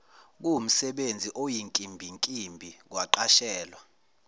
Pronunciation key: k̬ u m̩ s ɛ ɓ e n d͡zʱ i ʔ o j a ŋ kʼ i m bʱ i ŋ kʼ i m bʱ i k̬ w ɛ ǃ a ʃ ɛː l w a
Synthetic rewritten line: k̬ u m̩ s ɛ ɓ e n d͡zʱ i ʔ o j i ŋ kʼ i m bʱ i ŋ kʼ i m bʱ i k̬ w a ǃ a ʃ ɛː l w a